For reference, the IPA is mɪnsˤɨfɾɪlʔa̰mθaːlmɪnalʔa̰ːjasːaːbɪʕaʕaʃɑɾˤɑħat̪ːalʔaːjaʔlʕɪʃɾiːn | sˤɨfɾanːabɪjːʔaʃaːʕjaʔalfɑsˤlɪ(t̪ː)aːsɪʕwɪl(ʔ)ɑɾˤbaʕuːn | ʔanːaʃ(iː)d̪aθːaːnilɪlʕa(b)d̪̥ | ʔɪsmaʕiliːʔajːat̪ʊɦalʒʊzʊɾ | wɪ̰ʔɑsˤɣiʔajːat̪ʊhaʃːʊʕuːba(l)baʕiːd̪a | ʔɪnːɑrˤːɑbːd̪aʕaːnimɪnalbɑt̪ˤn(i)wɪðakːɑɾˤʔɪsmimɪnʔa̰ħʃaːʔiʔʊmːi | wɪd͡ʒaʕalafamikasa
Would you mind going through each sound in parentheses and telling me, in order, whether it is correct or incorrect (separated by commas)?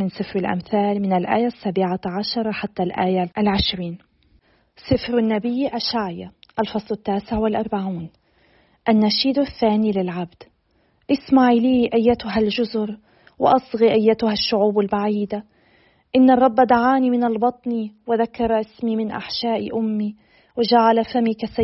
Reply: correct, correct, correct, correct, correct, correct